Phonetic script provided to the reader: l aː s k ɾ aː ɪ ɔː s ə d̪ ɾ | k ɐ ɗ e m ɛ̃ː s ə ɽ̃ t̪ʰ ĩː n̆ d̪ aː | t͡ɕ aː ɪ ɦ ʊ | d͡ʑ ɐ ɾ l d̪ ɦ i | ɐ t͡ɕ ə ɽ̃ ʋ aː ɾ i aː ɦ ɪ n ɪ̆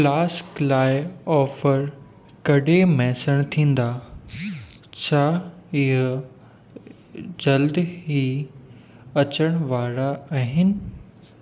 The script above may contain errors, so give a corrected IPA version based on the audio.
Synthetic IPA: l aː s k l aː ɪ ɔː f ə ɾ | k ɐ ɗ e m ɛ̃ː s ə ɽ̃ t̪ʰ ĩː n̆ d̪ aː | t͡ɕʰ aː ɪ ɦ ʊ | d͡ʑ ɐ l d̪ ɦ i | ɐ t͡ɕ ə ɽ̃ ʋ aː ɾ a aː ɦ ɪ n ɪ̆